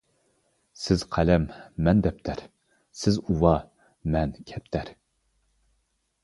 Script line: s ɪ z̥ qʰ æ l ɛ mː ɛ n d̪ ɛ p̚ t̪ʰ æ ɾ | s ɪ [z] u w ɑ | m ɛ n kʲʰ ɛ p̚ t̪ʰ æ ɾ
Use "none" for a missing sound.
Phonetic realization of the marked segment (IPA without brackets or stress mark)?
z